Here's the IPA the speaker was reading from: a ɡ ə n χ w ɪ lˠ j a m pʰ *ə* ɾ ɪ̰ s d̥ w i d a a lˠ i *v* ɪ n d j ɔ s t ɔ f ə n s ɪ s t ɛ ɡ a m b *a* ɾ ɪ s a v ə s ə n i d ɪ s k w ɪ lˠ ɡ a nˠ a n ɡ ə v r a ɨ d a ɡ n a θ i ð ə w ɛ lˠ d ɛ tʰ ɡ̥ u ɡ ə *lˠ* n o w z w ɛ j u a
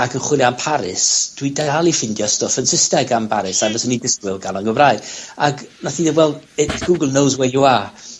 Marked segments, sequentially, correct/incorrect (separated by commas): incorrect, incorrect, correct, correct